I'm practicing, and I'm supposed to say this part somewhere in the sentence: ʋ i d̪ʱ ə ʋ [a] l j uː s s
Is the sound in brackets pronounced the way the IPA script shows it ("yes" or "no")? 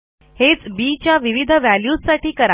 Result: no